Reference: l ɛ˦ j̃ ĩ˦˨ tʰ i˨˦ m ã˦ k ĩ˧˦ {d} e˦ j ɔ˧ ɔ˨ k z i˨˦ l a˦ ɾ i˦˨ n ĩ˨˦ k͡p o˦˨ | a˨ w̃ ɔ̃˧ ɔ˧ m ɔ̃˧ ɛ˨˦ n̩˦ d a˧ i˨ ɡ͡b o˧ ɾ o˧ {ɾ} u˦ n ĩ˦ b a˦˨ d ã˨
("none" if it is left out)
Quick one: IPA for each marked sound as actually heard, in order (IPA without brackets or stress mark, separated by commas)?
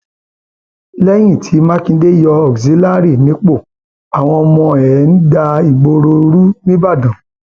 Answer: d, ɾ